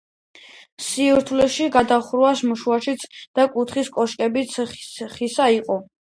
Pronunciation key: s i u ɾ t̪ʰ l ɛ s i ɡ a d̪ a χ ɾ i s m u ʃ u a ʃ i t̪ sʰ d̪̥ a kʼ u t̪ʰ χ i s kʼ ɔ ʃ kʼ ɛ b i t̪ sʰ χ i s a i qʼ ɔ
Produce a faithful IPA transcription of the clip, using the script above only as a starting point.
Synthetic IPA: s i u ɾ t̪ʰ l ɛ ʃ i ɡ a d̪ a χ ɾ a s m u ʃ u a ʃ i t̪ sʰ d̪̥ a kʼ u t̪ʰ χ i s kʼ ɔ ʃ kʼ ɛ b i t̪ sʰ χ i s a i qʼ ɔ